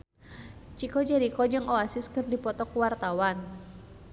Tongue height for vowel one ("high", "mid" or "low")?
high